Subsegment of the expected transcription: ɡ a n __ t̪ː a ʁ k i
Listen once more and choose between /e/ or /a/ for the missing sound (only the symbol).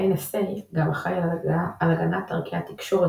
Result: a